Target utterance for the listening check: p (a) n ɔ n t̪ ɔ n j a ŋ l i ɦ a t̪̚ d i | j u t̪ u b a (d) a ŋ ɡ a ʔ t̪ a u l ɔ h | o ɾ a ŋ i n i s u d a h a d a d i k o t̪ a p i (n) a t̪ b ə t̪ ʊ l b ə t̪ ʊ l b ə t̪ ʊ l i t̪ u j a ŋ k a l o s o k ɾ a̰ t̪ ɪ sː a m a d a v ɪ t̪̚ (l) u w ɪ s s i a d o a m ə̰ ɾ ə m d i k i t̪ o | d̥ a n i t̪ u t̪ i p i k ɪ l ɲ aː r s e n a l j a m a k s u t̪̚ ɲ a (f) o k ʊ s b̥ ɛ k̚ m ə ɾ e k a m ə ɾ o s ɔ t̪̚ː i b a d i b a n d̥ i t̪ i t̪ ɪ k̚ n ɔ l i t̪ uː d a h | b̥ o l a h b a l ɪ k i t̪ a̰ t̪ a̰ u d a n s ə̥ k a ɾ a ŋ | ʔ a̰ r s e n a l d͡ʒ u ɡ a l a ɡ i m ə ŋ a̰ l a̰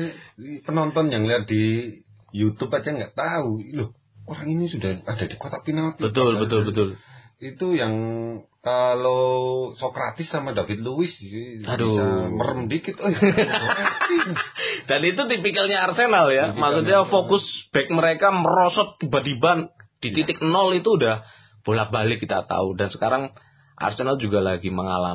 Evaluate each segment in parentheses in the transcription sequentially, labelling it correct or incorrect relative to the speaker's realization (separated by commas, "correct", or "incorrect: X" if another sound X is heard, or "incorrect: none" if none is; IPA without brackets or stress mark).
incorrect: ə, incorrect: d͡ʒ, correct, correct, correct